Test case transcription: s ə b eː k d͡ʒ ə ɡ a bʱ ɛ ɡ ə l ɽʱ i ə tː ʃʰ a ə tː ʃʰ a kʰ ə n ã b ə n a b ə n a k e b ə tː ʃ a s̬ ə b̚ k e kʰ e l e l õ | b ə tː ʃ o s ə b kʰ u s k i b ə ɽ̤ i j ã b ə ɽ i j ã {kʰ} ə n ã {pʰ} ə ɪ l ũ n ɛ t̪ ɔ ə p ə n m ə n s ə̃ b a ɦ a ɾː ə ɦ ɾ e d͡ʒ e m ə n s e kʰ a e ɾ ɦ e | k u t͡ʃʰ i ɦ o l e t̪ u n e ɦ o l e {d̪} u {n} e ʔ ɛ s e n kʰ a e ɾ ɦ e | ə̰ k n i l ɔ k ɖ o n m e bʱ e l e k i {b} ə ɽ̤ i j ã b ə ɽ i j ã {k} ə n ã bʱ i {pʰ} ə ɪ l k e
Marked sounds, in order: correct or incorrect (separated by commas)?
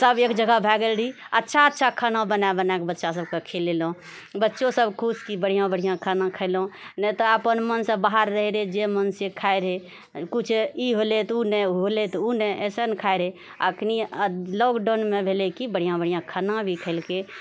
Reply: correct, incorrect, incorrect, correct, correct, incorrect, incorrect